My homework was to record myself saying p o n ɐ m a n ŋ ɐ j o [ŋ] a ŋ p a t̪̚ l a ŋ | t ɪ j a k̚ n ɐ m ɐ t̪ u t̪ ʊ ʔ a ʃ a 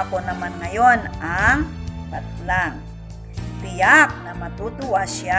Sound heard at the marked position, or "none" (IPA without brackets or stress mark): n